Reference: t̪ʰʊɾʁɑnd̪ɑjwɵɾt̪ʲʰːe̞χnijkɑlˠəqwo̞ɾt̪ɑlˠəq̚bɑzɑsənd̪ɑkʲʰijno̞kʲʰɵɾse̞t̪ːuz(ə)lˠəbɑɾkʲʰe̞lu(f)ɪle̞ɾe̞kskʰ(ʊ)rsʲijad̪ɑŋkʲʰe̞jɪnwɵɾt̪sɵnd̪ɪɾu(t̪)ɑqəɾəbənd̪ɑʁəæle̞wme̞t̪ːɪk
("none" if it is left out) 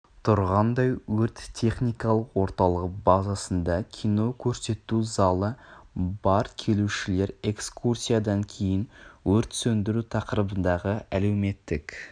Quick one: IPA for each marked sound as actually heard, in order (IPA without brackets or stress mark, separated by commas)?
ɑ, ʃ, u, t̪ʰ